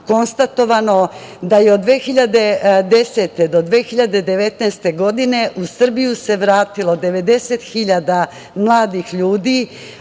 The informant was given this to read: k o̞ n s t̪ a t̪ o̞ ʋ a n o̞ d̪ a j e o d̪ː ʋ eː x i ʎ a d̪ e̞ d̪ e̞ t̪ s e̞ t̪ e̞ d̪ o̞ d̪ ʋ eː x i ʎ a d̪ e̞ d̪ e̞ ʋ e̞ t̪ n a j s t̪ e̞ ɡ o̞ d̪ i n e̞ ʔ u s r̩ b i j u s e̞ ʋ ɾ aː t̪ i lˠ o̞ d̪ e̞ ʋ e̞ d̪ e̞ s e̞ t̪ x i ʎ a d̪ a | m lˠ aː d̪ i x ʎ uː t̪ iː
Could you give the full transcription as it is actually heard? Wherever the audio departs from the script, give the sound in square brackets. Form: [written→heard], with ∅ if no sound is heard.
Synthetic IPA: k o̞ n s t̪ a t̪ o̞ ʋ a n o̞ d̪ a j e o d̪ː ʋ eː x i ʎ a d̪ e̞ d̪ e̞ [t̪→∅] s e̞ t̪ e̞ d̪ o̞ d̪ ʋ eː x i ʎ a d̪ e̞ d̪ e̞ ʋ e̞ t̪ n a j s t̪ e̞ ɡ o̞ d̪ i n e̞ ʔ u s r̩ b i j u s e̞ ʋ ɾ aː t̪ i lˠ o̞ d̪ e̞ ʋ e̞ d̪ e̞ s e̞ t̪ x i ʎ a d̪ a | m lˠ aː d̪ i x ʎ uː [t̪→d̪] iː